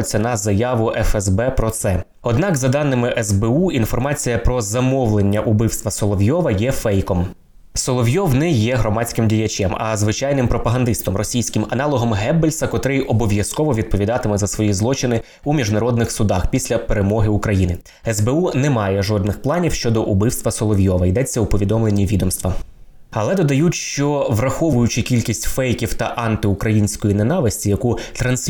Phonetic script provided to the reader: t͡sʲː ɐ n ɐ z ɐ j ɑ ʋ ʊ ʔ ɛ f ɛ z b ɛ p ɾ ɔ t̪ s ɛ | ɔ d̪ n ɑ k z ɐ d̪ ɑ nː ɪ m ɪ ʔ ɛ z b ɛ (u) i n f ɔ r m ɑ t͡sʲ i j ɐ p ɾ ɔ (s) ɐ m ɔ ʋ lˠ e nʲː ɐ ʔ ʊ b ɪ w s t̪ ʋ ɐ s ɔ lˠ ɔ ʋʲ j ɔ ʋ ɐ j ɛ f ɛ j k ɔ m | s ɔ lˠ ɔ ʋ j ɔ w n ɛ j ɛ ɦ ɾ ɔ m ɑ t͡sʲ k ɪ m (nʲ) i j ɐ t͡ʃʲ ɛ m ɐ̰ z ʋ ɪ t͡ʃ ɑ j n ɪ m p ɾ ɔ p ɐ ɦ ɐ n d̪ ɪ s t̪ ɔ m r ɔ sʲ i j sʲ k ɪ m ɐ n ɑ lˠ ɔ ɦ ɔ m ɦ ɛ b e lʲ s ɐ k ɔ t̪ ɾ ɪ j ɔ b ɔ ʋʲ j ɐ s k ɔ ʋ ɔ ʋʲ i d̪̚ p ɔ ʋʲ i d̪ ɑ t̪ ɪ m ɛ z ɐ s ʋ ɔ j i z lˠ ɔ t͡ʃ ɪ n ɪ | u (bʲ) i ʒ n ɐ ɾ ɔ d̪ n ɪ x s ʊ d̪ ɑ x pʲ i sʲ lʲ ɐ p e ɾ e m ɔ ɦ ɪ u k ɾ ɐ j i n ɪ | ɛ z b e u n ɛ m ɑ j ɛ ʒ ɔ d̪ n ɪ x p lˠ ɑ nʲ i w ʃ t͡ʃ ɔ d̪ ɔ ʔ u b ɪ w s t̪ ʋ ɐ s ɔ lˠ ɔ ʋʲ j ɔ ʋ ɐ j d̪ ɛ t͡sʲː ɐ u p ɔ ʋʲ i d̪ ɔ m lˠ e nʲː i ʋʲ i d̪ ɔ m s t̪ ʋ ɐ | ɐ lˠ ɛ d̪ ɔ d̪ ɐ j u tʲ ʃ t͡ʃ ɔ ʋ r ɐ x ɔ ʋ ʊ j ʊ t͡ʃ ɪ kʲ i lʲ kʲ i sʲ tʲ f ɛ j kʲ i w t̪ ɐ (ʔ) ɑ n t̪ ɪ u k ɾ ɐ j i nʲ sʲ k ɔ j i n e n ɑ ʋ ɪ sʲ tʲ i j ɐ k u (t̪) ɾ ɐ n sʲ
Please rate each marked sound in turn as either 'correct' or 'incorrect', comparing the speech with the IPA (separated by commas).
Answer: correct, incorrect, incorrect, incorrect, correct, correct